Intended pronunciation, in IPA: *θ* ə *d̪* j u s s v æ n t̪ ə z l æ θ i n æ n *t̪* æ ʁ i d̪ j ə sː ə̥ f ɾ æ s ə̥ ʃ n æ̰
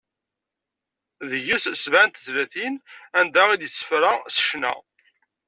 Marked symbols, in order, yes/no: no, no, no

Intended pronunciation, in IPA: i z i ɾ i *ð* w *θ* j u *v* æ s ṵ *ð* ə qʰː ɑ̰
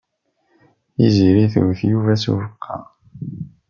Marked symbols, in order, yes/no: no, yes, yes, no

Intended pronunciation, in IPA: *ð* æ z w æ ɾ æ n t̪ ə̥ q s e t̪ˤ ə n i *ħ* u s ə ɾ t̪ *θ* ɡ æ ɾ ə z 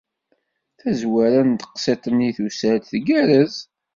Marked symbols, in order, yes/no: no, no, yes

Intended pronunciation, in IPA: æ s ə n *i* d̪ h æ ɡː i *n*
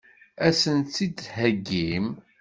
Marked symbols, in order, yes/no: yes, no

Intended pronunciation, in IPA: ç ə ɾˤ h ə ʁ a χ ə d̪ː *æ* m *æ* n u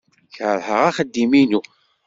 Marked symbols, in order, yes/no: no, no

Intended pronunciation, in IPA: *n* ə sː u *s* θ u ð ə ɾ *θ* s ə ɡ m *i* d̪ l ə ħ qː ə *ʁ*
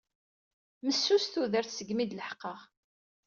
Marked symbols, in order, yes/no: no, yes, yes, yes, yes

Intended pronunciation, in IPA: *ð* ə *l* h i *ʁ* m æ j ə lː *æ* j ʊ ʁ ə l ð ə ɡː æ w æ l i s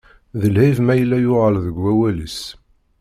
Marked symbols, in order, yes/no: yes, yes, no, yes

